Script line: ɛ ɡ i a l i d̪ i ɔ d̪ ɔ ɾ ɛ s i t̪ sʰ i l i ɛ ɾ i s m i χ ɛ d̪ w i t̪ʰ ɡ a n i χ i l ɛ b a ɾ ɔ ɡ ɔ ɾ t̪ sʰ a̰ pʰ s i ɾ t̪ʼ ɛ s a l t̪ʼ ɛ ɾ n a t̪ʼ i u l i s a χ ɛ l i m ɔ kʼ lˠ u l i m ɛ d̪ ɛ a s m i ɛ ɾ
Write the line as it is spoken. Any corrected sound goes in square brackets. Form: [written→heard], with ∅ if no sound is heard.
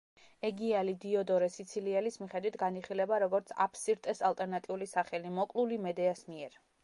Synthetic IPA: ɛ ɡ i a l i d̪ i ɔ d̪ ɔ ɾ ɛ s i t̪ sʰ i l i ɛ [ɾ→l] i s m i χ ɛ d̪ w i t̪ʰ ɡ a n i χ i l ɛ b a ɾ ɔ ɡ ɔ ɾ t̪ sʰ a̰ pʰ s i ɾ t̪ʼ ɛ s a l t̪ʼ ɛ ɾ n a t̪ʼ i u l i s a χ ɛ l i m ɔ kʼ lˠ u l i m ɛ d̪ ɛ a s m i ɛ ɾ